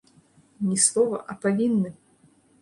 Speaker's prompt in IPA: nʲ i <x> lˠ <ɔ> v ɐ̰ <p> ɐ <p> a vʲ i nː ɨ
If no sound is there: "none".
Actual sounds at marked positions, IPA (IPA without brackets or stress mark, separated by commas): s, ɔ, ʔ, p